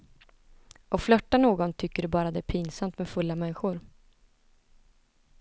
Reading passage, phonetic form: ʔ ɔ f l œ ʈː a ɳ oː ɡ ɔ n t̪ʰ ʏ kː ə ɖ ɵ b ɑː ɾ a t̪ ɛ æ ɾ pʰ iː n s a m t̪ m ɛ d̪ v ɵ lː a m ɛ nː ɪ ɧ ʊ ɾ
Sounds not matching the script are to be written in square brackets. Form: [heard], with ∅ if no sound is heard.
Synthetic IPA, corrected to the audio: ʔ ɔ f l œ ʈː a [n] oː ɡ ɔ n t̪ʰ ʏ kː ə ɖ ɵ b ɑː ɾ a [d̪] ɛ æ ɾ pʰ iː n s a m t̪ m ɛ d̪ [f] ɵ lː a m ɛ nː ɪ ɧ ʊ ɾ